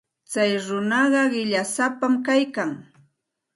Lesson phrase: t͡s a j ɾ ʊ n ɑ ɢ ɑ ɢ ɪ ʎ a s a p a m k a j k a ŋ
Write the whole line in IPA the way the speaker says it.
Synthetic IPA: t͡s a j ɾ ʊ n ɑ ɢ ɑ ɢ ɪ ʎ a s a p a m k a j k a ŋ